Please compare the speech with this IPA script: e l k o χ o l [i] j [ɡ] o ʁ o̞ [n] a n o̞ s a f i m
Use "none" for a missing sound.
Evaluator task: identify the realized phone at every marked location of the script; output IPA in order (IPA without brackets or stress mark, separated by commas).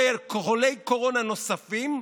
e, k, n